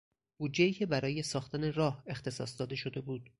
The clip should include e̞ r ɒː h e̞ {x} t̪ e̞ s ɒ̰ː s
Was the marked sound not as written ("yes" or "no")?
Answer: no